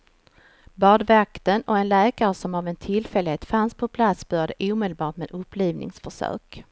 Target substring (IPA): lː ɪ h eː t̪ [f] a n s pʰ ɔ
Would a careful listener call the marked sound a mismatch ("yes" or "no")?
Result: no